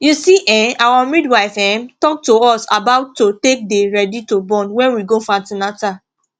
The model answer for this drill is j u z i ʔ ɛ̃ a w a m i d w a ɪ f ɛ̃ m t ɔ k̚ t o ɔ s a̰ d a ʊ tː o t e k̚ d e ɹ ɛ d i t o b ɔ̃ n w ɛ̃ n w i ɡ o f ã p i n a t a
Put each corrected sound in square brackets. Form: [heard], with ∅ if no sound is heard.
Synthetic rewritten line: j u [s] i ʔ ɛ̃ a w a m i d w a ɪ f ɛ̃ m t ɔ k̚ t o ɔ s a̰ [b] a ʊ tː o t e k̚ d e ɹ ɛ d i t o b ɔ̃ n w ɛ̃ n w i ɡ o f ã [t] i n a t a

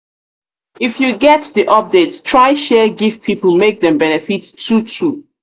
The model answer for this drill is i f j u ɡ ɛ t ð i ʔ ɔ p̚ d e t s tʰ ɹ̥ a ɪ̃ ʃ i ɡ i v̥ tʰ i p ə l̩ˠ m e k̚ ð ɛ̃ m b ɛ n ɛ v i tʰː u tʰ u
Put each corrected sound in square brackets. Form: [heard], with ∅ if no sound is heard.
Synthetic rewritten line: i f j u ɡ ɛ t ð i ʔ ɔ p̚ d e t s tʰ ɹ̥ a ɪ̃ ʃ [ɛ] ɡ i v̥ [pʰ] i p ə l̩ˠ m e k̚ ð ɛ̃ m b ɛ n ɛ [f] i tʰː u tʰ u

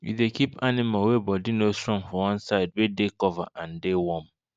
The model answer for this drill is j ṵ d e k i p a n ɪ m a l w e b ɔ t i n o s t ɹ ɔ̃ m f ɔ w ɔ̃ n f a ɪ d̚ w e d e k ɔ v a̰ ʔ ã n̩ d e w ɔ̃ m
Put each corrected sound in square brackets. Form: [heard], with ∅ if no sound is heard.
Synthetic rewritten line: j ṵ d e k i p a n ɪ m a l w e b ɔ [d] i n o s t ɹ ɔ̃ [ŋ] f ɔ w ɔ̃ n [s] a ɪ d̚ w e d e k ɔ v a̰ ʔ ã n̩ d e w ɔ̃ m

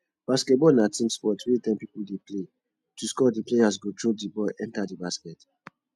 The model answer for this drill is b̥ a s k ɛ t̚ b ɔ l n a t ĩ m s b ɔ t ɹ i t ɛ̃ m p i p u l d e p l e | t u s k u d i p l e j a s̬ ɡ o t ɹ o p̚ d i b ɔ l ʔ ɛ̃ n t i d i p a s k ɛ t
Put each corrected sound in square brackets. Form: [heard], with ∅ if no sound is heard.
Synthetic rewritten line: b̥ a s k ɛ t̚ b ɔ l n a t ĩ m s [p] ɔ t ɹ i t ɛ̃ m p i p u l d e p l e | t u s k [ɔ] d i p l e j a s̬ ɡ o t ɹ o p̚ d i b ɔ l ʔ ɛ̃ n t [a] d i [b] a s k ɛ t

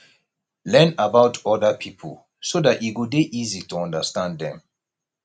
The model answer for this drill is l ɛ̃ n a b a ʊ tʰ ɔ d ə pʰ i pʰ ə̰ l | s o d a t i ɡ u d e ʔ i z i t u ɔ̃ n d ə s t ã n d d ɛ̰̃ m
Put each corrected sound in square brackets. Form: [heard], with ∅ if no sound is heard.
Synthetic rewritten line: l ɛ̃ n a b a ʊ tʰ ɔ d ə pʰ i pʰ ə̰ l | s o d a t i ɡ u d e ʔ i z i t u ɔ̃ n d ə s t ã n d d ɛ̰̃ m

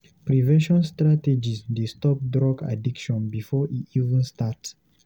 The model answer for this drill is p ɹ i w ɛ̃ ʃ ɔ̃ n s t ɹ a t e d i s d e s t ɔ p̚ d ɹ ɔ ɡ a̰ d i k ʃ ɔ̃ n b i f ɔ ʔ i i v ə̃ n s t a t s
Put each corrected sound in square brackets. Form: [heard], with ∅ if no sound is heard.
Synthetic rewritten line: p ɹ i [v] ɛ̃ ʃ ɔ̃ n s t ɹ a t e [d͡ʒ] i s d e s t ɔ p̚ d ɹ ɔ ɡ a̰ d i k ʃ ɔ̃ n b i f ɔ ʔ i i v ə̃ n s t a t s

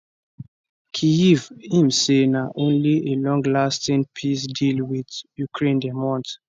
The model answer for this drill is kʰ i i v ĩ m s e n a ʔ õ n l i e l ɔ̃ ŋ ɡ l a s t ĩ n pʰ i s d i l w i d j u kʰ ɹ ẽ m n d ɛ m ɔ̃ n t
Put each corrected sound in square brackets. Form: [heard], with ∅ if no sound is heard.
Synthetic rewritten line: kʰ i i v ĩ m s e n a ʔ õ n l i e l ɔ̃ ŋ ɡ l a s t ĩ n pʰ i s d i l w i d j u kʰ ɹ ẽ [∅] n d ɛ m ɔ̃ n t

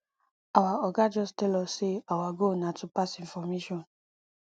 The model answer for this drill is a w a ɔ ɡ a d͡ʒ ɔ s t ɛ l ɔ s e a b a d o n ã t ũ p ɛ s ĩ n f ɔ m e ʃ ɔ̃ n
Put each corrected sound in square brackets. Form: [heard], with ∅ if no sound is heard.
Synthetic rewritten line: a w a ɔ ɡ a d͡ʒ ɔ s t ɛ l ɔ s e a [w] a [ɡ] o n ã t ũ p [a] s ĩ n f ɔ m e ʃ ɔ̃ n

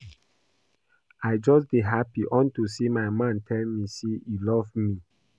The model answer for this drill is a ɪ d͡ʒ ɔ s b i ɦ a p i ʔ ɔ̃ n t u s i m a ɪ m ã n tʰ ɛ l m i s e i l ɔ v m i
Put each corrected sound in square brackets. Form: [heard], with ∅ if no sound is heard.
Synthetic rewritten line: a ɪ d͡ʒ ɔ s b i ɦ a p i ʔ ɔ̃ n t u s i m a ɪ m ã n tʰ ɛ l m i s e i l ɔ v m i

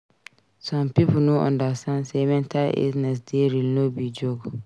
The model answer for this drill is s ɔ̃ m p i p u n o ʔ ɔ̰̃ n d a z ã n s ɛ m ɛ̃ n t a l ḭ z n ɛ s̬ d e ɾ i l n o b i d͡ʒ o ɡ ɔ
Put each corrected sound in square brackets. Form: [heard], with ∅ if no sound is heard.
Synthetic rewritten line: s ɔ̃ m p i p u n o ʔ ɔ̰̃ n d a [s] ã n s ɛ m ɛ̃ n t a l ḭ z n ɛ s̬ d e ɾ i l n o b i d͡ʒ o ɡ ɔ

